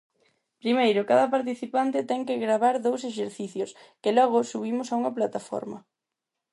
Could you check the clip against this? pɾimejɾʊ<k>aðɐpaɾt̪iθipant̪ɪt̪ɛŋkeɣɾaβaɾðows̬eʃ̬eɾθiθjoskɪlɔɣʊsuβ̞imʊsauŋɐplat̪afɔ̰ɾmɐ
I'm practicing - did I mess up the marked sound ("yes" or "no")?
no